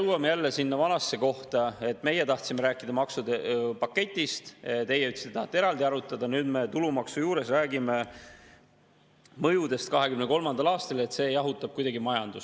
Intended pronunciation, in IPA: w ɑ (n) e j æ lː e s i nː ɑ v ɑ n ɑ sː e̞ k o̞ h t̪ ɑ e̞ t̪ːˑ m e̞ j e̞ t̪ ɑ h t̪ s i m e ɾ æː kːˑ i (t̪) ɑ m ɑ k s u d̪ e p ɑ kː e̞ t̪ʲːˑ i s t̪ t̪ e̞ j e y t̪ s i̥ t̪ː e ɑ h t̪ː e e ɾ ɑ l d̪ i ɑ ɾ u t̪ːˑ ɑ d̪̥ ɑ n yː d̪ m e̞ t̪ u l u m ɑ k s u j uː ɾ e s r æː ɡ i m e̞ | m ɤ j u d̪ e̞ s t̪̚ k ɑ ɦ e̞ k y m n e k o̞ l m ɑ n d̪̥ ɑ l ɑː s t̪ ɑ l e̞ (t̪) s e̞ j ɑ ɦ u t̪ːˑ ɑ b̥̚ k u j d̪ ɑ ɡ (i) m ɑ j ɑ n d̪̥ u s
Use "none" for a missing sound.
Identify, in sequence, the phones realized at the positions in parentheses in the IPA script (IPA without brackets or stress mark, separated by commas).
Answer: m, d̪, t̪, i